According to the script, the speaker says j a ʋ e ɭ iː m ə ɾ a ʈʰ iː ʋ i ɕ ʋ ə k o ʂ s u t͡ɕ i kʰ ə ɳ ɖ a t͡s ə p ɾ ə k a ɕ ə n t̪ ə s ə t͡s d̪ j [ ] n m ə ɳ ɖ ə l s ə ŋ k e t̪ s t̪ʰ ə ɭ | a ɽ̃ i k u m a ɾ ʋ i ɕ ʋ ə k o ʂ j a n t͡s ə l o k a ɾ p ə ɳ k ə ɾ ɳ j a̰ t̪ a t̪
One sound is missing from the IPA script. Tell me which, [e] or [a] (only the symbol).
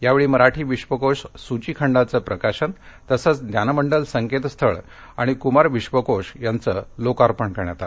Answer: a